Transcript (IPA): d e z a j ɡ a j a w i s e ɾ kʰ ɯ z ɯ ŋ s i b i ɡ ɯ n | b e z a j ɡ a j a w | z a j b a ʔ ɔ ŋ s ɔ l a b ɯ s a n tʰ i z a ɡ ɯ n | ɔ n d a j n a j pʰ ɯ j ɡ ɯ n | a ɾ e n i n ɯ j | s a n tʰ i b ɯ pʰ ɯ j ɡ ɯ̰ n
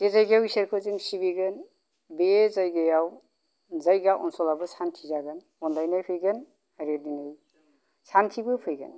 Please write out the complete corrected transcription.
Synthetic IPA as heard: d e z a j ɡ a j a w i s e ɾ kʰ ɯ z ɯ ŋ s i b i ɡ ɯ n | b e z a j ɡ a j a w | z a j ɡ a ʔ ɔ n s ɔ l a b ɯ s a n tʰ i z a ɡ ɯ n | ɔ n d a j n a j pʰ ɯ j ɡ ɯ n | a ɾ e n i n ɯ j | s a n tʰ i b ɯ pʰ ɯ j ɡ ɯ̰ n

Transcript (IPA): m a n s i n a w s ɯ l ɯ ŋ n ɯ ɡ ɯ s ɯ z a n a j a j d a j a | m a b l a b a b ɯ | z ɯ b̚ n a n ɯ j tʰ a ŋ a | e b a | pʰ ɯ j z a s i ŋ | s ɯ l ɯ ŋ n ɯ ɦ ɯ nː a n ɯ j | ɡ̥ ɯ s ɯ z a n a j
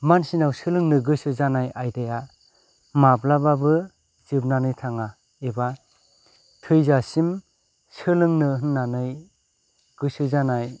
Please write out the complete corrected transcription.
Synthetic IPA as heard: m a n s i n a w s ɯ l ɯ ŋ n ɯ ɡ ɯ s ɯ z a n a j a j d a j a | m a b l a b a b ɯ | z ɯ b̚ n a n ɯ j tʰ a ŋ a | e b a | tʰ ɯ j z a s i m | s ɯ l ɯ ŋ n ɯ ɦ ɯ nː a n ɯ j | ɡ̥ ɯ s ɯ z a n a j

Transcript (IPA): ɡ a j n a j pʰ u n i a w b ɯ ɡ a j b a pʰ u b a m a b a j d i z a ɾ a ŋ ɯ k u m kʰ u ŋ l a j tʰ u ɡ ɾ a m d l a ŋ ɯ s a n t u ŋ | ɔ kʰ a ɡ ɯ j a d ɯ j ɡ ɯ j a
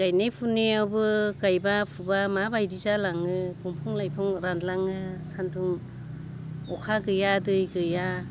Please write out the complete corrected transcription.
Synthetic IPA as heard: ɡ a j n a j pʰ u n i a w b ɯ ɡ a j b a pʰ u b a m a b a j d i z a l a ŋ ɯ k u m pʰ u ŋ l a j pʰ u ŋ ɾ a n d l a ŋ ɯ s a n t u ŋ | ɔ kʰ a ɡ ɯ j a d ɯ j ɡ ɯ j a

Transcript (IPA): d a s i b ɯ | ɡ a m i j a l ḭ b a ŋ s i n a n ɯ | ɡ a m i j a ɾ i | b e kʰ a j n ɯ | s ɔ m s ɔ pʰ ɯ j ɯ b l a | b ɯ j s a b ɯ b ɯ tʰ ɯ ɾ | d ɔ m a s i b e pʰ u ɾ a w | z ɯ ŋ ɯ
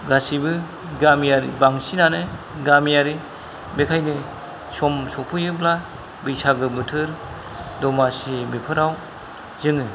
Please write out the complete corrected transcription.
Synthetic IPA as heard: ɡ a s i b ɯ | ɡ a m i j a ɾ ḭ b a ŋ s i n a n ɯ | ɡ a m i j a ɾ i | b e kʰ a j n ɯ | s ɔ m s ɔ pʰ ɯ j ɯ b l a | b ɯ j s a ɡ ɯ b ɯ tʰ ɯ ɾ | d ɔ m a s i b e pʰ ɯ ɾ a w | z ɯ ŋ ɯ

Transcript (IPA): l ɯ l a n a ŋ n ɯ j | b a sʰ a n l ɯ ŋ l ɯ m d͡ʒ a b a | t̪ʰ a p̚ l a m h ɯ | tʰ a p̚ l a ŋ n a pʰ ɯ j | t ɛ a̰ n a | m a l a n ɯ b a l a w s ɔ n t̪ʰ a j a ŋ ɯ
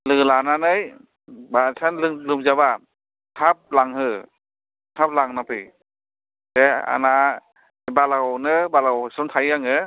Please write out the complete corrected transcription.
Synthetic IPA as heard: l ɯ l a n a n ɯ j | b a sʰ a n l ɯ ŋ l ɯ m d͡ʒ a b a | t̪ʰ a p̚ l a ŋ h ɯ | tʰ a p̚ l a ŋ n a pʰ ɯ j | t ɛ a̰ n a | b a l a n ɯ b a l a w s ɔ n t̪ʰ a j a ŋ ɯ

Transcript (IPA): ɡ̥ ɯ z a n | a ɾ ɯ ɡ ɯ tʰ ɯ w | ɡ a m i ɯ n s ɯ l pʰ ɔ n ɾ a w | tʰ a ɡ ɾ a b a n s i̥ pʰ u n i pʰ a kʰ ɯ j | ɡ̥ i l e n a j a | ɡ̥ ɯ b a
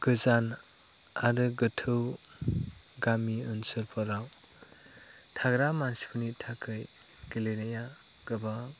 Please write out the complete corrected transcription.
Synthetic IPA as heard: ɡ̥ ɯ z a n | a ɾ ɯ ɡ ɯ tʰ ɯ w | ɡ a m i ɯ n s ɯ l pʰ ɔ ɾ a w | tʰ a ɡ ɾ a m a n s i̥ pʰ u n i tʰ a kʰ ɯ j | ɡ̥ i l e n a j a | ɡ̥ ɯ b a

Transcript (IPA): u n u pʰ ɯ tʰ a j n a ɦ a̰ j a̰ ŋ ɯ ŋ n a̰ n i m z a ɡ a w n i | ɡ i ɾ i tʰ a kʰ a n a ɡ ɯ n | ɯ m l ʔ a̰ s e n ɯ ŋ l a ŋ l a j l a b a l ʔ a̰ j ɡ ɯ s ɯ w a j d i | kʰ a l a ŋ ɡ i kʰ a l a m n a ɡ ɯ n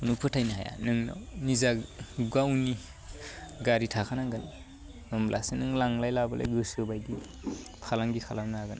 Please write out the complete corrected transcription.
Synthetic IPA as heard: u n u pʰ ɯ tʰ a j n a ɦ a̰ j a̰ n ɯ ŋ n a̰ n i z a ɡ a w n i | ɡ a ɾ i tʰ a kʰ a n a ɡ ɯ n | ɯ m l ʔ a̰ s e n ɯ ŋ l a ŋ l a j l a b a l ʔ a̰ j ɡ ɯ s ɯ b a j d i | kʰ a l a ŋ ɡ i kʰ a l a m n a ɡ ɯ n

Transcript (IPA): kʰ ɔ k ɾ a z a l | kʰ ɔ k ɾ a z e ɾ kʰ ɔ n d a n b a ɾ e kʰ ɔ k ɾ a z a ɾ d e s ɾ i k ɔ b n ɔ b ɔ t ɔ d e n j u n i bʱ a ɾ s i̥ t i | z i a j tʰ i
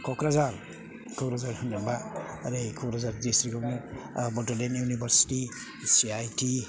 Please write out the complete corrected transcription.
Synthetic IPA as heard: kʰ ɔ k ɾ a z a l | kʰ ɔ k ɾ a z a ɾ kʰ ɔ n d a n b a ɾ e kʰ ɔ k ɾ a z a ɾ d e s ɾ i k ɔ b n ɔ b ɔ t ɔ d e n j u n i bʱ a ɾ s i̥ t i | s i a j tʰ i

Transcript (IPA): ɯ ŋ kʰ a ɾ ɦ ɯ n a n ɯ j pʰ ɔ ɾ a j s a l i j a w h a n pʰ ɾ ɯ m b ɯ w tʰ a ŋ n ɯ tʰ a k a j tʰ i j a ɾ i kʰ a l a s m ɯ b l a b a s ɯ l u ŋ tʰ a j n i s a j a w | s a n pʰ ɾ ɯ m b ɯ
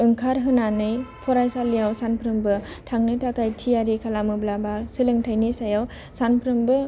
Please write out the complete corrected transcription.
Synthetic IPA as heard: ɯ ŋ kʰ a ɾ ɦ ɯ n a n ɯ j pʰ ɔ ɾ a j s a l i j a w s a n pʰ ɾ ɯ m b ɯ tʰ a ŋ n ɯ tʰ a k a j tʰ i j a ɾ i kʰ a l a m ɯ b l a b a s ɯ l ɯ ŋ tʰ a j n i s a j a w | s a n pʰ ɾ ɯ m b ɯ

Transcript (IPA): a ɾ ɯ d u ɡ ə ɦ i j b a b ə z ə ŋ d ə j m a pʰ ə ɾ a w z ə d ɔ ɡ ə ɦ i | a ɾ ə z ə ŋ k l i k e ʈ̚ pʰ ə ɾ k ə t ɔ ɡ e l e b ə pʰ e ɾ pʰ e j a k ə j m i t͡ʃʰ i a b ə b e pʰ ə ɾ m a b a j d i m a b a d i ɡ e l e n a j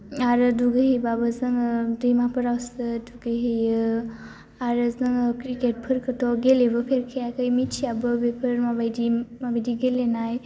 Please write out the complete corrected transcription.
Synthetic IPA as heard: a ɾ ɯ d u ɡ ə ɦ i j b a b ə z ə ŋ d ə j m a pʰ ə ɾ a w s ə d u ɡ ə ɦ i | a ɾ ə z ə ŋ k ɾ i k e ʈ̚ pʰ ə ɾ k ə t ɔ ɡ e l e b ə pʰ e ɾ kʰ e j a k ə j m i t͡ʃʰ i a b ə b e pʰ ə ɾ m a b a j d i m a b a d i ɡ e l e n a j

